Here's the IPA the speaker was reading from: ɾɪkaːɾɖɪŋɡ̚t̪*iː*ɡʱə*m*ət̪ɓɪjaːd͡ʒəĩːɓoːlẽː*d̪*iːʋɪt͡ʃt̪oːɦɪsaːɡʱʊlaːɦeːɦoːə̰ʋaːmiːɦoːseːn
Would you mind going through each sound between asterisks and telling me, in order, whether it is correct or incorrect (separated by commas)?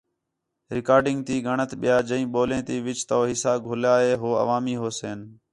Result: correct, incorrect, incorrect